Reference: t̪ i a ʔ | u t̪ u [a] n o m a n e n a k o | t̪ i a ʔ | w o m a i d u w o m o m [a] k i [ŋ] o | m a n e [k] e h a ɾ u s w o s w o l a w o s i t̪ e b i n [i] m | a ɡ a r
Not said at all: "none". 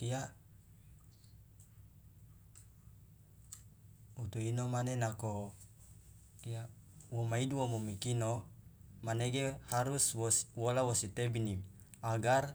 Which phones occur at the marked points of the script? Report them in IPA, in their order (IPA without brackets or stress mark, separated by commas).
i, i, n, ɡ, i